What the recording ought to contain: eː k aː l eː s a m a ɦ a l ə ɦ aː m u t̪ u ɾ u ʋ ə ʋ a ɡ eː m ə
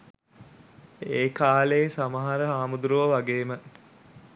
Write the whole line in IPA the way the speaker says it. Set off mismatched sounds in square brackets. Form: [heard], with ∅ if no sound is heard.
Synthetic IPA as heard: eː k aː l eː s a m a ɦ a [ɾ] ə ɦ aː m u [d̪] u ɾ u ʋ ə ʋ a ɡ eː m ə